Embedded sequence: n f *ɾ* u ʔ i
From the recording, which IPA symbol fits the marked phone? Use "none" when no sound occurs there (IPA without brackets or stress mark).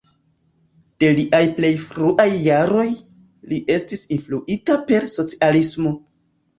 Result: l